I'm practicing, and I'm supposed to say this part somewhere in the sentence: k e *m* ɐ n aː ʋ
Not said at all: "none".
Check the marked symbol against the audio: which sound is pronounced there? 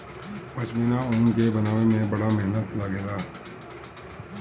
b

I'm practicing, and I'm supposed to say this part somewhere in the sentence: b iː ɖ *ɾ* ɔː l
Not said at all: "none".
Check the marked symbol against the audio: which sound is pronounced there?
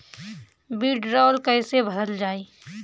ɾ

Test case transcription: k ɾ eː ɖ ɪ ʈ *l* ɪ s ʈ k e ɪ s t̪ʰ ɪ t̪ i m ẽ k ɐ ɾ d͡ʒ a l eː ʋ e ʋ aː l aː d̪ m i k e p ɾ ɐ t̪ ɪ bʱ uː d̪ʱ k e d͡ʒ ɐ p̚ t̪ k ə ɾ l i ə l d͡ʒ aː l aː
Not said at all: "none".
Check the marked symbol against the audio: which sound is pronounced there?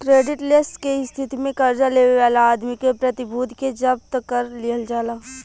l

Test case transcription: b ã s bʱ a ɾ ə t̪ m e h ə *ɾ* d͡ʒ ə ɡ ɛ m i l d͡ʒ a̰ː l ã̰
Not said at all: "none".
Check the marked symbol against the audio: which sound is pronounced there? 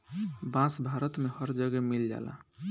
ɾ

